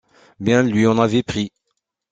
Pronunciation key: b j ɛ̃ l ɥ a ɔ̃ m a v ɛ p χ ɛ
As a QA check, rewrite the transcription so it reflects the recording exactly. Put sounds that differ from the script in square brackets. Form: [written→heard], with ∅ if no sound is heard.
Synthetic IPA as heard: b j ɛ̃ l ɥ [a→i] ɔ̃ [m→n] a v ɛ p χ [ɛ→i]

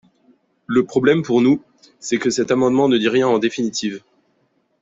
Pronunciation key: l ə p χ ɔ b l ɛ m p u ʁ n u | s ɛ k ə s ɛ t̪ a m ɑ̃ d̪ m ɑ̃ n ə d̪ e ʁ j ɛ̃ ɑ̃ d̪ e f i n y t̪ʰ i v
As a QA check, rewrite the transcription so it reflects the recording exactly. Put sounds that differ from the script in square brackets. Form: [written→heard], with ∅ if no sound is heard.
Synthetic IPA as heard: l ə p χ ɔ b l ɛ m p u ʁ n u | s ɛ k ə s ɛ t̪ a m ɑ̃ d̪ m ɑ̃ n ə d̪ [e→i] ʁ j ɛ̃ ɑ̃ d̪ e f i n [y→i] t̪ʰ i v

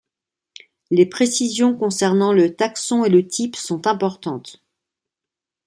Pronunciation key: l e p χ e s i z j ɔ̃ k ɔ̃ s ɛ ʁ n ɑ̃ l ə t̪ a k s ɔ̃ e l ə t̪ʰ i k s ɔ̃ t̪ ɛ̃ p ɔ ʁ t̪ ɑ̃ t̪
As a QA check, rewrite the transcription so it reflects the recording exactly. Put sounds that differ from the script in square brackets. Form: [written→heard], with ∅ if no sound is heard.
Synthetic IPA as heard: l e p χ e s i z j ɔ̃ k ɔ̃ s ɛ ʁ n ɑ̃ l ə t̪ a k s ɔ̃ e l ə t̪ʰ i [k→p] s ɔ̃ t̪ ɛ̃ p ɔ ʁ t̪ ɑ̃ t̪

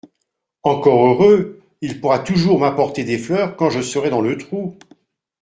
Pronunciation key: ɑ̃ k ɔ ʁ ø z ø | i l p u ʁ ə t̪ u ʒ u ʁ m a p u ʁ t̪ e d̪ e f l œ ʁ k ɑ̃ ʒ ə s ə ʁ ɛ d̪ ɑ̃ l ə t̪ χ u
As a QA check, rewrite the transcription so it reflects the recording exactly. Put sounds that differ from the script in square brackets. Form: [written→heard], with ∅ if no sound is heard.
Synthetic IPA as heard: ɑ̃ k ɔ ʁ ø [z→ʁ] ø | i l p u ʁ [ə→a] t̪ u ʒ u ʁ m a p [u→ɔ] ʁ t̪ e d̪ e f l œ ʁ k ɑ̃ ʒ ə s ə ʁ ɛ d̪ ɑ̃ l ə t̪ χ u

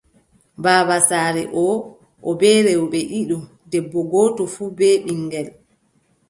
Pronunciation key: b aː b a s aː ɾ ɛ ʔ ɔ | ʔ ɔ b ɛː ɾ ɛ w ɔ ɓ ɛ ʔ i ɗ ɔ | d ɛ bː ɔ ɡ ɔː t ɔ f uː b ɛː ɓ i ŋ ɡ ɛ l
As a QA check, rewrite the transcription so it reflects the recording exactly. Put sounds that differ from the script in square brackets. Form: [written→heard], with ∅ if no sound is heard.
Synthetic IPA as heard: b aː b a s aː ɾ ɛ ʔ ɔ | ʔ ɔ b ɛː ɾ ɛ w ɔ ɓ ɛ ʔ i ɗ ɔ | d ɛ bː ɔ ɡ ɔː t ɔ f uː b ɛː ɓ i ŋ ɡ ɛ l

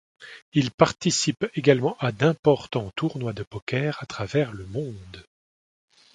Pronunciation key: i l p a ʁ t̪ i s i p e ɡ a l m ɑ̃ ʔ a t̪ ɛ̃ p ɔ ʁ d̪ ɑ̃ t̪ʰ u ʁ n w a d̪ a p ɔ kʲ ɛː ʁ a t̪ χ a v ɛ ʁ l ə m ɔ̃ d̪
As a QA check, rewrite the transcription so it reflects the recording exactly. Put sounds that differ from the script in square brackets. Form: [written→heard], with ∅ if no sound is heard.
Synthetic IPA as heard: i l p a ʁ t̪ i s i p e ɡ a l m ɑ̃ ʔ a [t̪→d̪] ɛ̃ p ɔ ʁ [d̪→t̪] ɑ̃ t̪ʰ u ʁ n w a d̪ [a→ə] p ɔ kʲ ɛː ʁ a t̪ χ a v ɛ ʁ l ə m ɔ̃ d̪

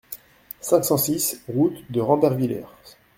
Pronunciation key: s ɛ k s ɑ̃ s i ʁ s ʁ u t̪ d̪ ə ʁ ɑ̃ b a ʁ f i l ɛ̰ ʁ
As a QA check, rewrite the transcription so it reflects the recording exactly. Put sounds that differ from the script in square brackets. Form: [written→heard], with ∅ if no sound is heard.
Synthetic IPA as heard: s [ɛ→ɛ̃] k s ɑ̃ s i [ʁ→∅] s ʁ u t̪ d̪ ə ʁ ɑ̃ b [a→ɛ] ʁ [f→v] i l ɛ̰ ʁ

